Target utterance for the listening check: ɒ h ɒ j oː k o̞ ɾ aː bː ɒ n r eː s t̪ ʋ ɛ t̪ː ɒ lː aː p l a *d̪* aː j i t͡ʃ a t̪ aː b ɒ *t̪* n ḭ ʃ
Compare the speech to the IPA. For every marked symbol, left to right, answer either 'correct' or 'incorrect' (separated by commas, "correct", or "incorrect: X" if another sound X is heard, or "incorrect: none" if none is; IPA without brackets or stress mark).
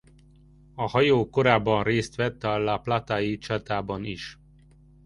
incorrect: t̪, incorrect: none